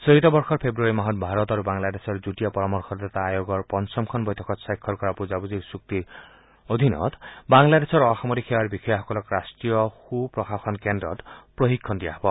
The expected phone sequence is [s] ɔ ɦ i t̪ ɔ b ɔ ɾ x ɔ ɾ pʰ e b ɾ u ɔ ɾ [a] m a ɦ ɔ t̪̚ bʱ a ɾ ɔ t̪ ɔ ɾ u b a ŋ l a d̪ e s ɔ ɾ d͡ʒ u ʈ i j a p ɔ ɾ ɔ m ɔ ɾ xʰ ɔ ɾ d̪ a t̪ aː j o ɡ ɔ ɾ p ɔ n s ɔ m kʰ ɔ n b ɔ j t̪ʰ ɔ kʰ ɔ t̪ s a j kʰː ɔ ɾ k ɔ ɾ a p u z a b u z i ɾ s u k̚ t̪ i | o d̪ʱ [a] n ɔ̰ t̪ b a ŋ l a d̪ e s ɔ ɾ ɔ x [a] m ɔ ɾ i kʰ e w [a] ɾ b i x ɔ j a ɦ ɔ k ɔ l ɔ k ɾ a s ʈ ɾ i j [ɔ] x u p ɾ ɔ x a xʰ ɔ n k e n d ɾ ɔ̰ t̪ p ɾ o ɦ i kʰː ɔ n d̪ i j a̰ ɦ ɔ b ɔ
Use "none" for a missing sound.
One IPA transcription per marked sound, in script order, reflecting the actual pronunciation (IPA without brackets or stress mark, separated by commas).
s, i, i, a, a, ɔ